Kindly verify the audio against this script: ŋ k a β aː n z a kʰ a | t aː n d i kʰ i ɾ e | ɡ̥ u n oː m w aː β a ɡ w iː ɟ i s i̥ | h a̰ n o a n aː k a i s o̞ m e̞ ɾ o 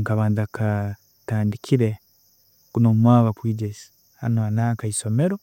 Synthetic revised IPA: ŋ k a β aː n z a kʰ a | t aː n d i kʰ i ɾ e | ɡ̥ u n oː m w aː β a k w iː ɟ e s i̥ | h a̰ n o a n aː k a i s o̞ m e̞ ɾ o